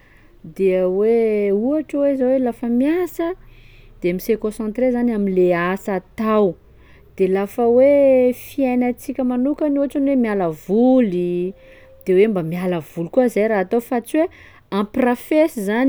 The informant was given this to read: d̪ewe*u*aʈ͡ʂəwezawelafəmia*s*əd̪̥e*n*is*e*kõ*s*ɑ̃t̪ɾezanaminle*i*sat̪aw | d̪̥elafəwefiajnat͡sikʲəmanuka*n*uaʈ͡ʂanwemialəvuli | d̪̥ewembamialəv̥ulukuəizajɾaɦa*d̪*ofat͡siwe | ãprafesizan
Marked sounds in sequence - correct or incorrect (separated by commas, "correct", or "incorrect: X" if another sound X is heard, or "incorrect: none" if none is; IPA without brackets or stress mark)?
correct, correct, incorrect: m, correct, correct, incorrect: a, correct, incorrect: t̪